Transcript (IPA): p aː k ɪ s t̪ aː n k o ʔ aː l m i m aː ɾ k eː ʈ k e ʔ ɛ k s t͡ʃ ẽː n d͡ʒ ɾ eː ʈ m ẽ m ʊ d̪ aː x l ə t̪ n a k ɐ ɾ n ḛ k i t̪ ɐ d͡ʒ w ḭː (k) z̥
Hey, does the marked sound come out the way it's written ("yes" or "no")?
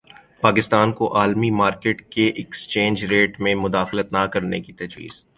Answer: no